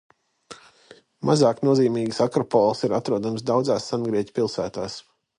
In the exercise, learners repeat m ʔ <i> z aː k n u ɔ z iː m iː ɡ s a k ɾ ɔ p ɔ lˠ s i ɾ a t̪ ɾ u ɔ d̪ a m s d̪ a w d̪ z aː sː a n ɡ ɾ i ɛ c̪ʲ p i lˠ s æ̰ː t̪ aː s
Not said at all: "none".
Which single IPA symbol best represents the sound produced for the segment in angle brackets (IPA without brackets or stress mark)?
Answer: a